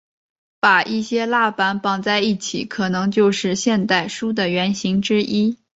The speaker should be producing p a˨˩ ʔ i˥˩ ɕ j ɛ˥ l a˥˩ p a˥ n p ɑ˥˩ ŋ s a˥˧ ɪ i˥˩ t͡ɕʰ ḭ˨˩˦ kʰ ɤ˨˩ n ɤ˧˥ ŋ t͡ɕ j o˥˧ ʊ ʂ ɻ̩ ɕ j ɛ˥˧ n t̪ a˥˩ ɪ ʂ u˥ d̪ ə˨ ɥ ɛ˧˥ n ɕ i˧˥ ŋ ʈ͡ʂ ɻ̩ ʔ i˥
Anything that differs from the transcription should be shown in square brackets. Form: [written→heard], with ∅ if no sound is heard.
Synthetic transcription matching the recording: p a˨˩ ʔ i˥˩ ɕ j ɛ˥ l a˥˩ p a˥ n p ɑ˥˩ ŋ [s→t͡s] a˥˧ ɪ i˥˩ t͡ɕʰ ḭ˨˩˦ kʰ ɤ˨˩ n ɤ˧˥ ŋ t͡ɕ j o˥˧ ʊ ʂ ɻ̩ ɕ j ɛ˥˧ n t̪ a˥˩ ɪ ʂ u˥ d̪ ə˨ ɥ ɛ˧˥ n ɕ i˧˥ ŋ ʈ͡ʂ ɻ̩ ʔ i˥

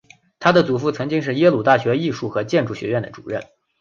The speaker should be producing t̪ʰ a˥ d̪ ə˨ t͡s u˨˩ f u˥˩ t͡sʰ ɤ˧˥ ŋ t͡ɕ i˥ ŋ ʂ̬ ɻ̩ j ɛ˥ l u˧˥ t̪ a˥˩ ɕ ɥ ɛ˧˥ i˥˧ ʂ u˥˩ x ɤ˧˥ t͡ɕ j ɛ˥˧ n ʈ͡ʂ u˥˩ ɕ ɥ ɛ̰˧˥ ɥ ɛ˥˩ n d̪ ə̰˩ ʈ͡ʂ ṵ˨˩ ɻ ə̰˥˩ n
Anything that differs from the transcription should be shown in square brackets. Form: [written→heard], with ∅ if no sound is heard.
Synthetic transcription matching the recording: t̪ʰ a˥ d̪ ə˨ t͡s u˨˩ f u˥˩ t͡sʰ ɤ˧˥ ŋ t͡ɕ i˥ ŋ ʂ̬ ɻ̩ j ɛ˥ l [u˧˥→u˨˩] t̪ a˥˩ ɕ ɥ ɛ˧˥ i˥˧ ʂ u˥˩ x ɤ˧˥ t͡ɕ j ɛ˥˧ n ʈ͡ʂ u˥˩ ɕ ɥ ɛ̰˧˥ ɥ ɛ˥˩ n d̪ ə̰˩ ʈ͡ʂ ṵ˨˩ ɻ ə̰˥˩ n

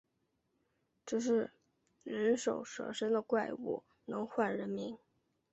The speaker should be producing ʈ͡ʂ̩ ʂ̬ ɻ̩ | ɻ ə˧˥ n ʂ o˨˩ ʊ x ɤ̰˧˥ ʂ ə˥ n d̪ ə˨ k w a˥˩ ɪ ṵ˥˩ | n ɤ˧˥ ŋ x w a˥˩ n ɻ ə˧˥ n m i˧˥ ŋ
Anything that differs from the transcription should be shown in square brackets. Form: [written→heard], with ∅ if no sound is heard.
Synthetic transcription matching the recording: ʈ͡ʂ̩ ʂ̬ ɻ̩ | ɻ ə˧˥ n ʂ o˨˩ ʊ [x→ʂ] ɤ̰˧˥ ʂ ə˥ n d̪ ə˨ k w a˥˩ ɪ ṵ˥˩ | n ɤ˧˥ ŋ x w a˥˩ n ɻ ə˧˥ n m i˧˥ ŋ

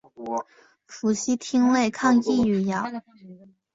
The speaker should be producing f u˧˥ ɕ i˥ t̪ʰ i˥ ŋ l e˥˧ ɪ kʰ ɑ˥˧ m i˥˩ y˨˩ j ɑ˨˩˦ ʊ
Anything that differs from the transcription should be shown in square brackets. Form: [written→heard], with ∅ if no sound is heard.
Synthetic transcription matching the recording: f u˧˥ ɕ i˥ t̪ʰ i˥ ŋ l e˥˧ ɪ kʰ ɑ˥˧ [m→ŋ] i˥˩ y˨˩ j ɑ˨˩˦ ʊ

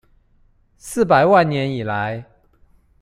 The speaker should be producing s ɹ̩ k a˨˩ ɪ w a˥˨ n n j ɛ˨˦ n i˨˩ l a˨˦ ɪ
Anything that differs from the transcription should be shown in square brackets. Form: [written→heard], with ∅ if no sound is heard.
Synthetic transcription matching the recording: s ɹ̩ [k→p] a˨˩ ɪ w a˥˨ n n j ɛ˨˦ n i˨˩ l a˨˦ ɪ

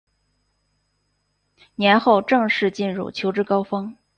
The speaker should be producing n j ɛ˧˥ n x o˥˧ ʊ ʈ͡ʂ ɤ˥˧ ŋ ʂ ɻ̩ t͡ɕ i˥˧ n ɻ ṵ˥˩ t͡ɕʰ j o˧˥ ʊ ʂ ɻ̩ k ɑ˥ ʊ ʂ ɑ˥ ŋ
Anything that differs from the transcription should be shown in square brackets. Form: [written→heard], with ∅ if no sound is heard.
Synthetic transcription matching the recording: n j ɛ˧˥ n x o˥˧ ʊ ʈ͡ʂ ɤ˥˧ ŋ ʂ ɻ̩ t͡ɕ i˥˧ n ɻ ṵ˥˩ t͡ɕʰ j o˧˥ ʊ [ʂ→ʈ͡ʂ] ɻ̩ k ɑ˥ ʊ [ʂ→f] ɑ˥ ŋ

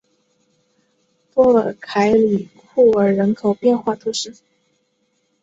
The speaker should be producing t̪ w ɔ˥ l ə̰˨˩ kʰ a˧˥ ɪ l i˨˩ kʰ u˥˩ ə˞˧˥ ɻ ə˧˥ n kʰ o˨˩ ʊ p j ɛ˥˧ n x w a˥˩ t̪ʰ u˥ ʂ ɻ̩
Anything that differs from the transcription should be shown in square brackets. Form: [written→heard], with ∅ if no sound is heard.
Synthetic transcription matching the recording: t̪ w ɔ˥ l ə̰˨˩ kʰ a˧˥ ɪ l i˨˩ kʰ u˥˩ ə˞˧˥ ɻ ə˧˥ n kʰ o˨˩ ʊ p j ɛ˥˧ n x w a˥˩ t̪ʰ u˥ ʂ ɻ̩

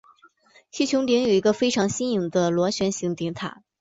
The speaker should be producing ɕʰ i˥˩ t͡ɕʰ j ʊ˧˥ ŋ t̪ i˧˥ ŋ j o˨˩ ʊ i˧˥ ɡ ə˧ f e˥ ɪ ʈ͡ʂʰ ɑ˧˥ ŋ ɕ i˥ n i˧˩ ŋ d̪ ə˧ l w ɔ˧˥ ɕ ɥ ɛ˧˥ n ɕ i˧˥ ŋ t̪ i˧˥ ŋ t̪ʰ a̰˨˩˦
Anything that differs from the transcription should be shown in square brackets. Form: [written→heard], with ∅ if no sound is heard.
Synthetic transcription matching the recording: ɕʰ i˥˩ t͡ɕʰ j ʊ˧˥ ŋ t̪ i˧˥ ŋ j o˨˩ ʊ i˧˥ ɡ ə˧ f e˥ ɪ ʈ͡ʂʰ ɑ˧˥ ŋ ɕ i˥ n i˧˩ ŋ d̪ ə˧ l w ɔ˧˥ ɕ ɥ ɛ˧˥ n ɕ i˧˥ ŋ t̪ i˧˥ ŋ t̪ʰ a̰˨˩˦

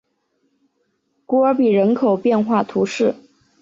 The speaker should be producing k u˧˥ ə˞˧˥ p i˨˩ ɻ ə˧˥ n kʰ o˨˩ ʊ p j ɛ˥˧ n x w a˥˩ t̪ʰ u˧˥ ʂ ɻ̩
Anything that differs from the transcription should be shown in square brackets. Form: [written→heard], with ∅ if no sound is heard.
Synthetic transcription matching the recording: k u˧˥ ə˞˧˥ p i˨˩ ɻ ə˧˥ n kʰ o˨˩ ʊ p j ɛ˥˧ n x w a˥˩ t̪ʰ u˧˥ ʂ ɻ̩

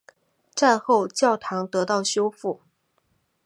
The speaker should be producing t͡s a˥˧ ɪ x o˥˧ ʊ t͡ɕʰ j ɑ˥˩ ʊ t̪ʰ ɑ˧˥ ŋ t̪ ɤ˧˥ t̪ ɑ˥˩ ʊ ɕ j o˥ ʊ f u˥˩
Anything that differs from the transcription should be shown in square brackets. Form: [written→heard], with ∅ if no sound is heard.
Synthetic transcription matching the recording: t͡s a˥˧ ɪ x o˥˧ ʊ [t͡ɕʰ→t͡ɕ] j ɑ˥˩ ʊ t̪ʰ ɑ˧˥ ŋ t̪ ɤ˧˥ t̪ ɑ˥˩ ʊ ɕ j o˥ ʊ f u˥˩

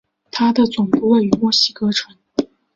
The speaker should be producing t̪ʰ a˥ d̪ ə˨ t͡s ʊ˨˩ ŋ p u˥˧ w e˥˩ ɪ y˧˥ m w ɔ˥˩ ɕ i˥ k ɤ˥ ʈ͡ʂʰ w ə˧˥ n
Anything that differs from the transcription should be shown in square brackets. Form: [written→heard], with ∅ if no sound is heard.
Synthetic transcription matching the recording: t̪ʰ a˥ d̪ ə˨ t͡s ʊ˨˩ ŋ p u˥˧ w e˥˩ ɪ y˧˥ m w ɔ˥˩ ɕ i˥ k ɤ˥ ʈ͡ʂʰ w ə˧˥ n

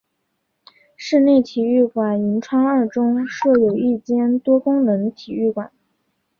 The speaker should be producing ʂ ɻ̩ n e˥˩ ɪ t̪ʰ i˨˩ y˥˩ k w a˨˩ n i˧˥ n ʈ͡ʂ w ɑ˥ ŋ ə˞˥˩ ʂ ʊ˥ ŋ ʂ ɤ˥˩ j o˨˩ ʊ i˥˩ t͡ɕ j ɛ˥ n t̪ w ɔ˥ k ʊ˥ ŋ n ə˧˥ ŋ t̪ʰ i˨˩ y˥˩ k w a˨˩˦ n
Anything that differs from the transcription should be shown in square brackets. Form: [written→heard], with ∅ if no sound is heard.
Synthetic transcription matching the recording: ʂ ɻ̩ n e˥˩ ɪ t̪ʰ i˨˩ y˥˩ k w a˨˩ n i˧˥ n [ʈ͡ʂ→ʈ͡ʂʰ] w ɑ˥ ŋ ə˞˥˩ [ʂ→ʈ͡ʂ] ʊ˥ ŋ ʂ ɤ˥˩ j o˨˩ ʊ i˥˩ t͡ɕ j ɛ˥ n t̪ w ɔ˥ k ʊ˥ ŋ n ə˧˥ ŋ t̪ʰ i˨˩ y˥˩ k w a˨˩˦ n

